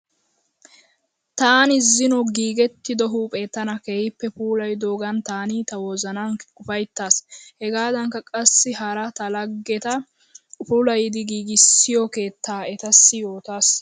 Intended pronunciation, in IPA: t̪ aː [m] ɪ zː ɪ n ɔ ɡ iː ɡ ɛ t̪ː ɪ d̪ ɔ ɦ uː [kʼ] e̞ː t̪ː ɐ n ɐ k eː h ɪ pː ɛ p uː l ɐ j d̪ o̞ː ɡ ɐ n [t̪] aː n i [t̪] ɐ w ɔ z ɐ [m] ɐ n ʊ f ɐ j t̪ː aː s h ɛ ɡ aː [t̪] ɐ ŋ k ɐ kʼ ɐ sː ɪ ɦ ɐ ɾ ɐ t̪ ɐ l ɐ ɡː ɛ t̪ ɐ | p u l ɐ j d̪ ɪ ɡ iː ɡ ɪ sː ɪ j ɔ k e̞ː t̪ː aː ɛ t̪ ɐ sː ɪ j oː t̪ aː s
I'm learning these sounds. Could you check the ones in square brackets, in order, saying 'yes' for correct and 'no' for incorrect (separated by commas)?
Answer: no, no, yes, yes, no, no